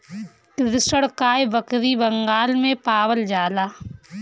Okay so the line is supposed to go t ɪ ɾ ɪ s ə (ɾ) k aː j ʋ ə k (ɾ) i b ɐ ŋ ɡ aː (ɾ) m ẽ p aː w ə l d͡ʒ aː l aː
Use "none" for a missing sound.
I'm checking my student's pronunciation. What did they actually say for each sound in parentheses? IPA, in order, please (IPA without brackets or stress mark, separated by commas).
ɽ, ɾ, l